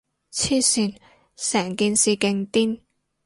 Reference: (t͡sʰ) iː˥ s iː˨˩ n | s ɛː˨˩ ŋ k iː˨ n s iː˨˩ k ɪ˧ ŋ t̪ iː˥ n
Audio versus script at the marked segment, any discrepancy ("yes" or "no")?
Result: no